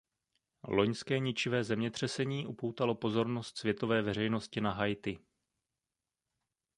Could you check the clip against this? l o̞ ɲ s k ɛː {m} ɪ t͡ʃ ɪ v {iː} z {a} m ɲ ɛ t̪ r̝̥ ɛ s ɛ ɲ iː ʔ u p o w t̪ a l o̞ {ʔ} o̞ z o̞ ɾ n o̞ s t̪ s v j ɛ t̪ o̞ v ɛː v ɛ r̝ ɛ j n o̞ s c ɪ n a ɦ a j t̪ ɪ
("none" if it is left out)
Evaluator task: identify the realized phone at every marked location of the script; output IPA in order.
ɲ, ɛː, ɛ, p

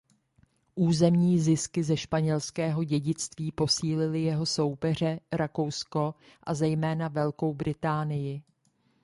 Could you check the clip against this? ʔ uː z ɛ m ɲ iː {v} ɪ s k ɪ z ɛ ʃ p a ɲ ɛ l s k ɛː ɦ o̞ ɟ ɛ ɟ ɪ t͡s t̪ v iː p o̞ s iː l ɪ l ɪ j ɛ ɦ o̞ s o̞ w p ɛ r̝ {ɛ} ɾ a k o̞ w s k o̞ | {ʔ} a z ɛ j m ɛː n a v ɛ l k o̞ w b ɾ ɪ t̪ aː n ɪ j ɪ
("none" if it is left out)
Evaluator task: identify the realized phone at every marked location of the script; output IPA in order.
z, ɛ, ʔ

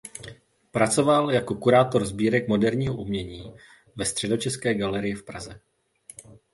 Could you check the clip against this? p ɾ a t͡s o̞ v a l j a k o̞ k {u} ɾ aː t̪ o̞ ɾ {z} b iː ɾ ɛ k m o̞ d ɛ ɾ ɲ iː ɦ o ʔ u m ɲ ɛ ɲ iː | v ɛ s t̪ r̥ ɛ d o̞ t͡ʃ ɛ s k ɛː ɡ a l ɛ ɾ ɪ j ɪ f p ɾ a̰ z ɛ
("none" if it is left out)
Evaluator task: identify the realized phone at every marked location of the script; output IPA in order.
u, z

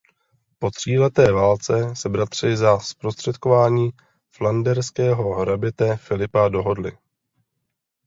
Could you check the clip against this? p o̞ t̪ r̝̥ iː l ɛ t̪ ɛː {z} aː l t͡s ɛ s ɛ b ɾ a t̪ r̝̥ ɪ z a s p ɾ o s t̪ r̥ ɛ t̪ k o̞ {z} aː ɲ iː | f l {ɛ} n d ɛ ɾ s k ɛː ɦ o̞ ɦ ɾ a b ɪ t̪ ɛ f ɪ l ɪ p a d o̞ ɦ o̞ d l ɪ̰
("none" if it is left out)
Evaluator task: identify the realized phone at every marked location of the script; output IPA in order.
v, v, a

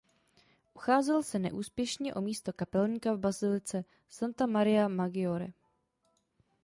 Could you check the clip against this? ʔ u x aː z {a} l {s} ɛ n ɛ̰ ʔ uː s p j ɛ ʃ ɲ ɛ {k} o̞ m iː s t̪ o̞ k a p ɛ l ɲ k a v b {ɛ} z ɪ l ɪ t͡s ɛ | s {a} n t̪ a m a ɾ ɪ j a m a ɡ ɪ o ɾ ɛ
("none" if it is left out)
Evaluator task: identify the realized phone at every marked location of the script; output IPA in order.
ɛ, s, ʔ, a, a

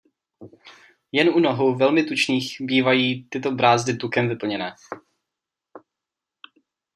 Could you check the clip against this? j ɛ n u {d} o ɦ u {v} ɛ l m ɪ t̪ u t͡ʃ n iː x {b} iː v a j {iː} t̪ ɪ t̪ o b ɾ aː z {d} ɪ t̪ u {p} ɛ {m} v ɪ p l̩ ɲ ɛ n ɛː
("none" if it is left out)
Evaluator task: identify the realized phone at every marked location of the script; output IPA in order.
n, v, b, iː, d, k, m

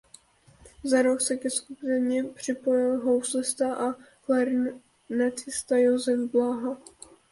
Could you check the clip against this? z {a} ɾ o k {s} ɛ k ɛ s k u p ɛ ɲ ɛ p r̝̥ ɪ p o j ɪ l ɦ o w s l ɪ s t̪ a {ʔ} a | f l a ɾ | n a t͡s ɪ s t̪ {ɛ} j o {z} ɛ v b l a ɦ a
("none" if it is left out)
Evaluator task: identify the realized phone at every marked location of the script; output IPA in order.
a, s, ʔ, a, z

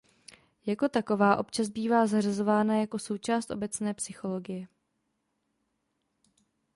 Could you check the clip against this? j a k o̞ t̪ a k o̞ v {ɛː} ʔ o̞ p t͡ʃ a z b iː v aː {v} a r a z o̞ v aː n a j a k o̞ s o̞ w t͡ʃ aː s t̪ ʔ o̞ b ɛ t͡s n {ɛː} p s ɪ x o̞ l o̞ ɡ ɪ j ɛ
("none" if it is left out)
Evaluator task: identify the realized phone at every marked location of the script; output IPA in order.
aː, z, ɛː

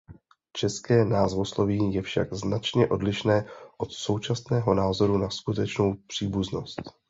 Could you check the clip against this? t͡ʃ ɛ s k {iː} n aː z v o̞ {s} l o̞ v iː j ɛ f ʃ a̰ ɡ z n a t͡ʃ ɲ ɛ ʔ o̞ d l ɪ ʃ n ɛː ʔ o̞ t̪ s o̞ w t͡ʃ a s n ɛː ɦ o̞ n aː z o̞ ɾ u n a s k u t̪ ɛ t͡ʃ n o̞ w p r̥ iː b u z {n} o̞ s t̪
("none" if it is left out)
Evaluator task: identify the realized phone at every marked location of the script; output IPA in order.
ɛː, s, n

